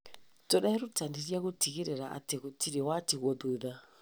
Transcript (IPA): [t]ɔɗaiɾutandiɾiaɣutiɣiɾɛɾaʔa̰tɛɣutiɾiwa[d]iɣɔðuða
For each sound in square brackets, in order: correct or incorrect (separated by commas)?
correct, incorrect